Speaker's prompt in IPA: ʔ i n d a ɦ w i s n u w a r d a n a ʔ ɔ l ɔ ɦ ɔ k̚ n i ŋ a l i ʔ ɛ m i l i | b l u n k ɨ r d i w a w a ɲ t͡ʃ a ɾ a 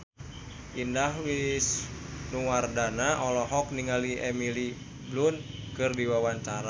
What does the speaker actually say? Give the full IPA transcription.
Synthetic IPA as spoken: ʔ i n d a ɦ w i s n u w a r d a n a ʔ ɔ l ɔ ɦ ɔ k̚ n i ŋ a l i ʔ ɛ m i l i | b l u n k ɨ r d i w a w a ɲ t͡ʃ a ɾ a